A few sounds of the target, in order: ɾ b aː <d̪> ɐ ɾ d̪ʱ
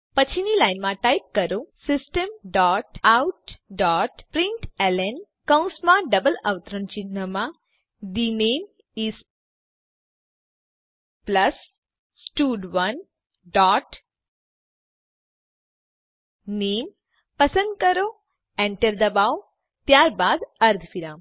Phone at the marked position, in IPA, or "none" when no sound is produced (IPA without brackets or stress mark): d̪